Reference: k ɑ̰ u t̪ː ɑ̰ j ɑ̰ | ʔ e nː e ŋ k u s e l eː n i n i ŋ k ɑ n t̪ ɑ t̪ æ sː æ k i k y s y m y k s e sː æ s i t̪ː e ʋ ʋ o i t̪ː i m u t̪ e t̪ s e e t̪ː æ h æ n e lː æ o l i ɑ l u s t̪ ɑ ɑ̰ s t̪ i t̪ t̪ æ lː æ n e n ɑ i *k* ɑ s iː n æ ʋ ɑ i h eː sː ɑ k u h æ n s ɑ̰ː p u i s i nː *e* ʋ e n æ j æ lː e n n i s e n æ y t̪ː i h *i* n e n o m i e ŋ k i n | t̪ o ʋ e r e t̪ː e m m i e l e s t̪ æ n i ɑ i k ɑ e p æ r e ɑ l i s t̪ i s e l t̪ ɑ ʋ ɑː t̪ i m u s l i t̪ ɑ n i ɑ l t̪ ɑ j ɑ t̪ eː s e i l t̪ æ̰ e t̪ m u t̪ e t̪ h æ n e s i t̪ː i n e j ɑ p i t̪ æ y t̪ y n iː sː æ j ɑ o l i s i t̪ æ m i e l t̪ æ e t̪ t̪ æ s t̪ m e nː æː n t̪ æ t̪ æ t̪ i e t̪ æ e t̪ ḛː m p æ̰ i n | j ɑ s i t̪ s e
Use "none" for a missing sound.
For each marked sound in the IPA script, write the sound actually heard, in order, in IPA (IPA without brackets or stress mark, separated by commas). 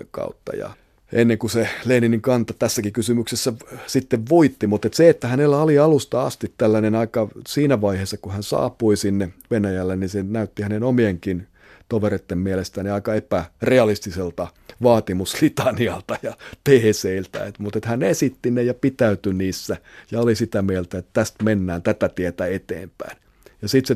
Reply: k, e, æ